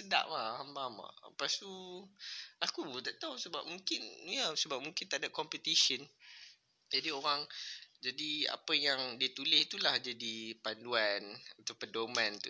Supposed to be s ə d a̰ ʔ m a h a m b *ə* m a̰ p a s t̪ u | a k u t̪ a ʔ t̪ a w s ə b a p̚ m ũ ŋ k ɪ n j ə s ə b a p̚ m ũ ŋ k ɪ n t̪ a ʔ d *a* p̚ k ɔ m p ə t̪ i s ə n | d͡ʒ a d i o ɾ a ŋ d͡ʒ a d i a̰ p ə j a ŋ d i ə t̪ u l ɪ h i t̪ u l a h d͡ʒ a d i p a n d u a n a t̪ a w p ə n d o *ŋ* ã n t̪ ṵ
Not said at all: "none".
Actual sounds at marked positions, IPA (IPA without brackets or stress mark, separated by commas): a, a, m